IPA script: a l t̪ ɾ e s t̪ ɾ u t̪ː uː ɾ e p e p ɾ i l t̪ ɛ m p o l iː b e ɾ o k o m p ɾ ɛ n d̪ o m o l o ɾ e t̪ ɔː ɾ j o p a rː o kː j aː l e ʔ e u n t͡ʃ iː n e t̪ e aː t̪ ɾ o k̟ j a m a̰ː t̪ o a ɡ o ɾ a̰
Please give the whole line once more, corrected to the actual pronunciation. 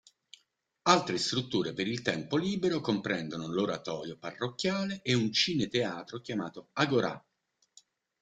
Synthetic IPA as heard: a l t̪ ɾ e s t̪ ɾ u t̪ː uː ɾ e p e ɾ i l t̪ ɛ m p o l iː b e ɾ o k o m p ɾ ɛ n d̪ o n o l o ɾ a t̪ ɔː ɾ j o p a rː o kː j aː l e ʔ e u n t͡ʃ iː n e t̪ e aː t̪ ɾ o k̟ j a m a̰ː t̪ o a ɡ o ɾ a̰